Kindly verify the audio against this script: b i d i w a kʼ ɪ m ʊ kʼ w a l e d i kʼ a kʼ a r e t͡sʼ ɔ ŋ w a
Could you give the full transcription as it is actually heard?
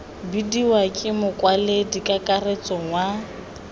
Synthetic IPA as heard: b i d i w a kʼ ɪ m ʊ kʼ w a l e d i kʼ a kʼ a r e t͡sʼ ɔ ŋ w a